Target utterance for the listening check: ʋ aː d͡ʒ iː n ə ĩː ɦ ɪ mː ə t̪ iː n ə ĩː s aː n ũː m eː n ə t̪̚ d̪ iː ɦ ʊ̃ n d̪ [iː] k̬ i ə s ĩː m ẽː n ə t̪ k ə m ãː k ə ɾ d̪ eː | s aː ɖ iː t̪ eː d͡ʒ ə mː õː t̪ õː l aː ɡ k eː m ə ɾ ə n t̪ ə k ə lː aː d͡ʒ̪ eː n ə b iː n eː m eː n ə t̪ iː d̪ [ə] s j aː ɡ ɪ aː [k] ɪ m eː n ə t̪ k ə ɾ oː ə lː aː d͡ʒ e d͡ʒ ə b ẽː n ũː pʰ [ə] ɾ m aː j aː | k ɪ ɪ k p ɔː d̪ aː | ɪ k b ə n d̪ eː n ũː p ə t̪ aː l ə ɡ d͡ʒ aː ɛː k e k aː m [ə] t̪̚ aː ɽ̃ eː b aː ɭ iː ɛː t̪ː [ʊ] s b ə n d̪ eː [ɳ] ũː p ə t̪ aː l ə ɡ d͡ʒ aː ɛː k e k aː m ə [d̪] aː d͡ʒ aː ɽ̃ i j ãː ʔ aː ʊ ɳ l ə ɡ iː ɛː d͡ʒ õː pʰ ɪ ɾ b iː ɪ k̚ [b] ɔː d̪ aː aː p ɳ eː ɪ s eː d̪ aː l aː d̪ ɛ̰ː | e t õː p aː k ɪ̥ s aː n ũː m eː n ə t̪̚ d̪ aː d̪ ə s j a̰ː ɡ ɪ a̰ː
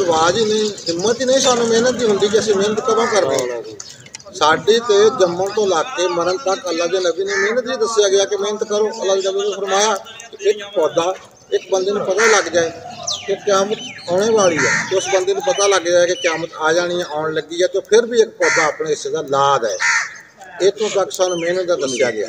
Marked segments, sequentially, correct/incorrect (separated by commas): correct, correct, correct, correct, correct, correct, incorrect, incorrect, incorrect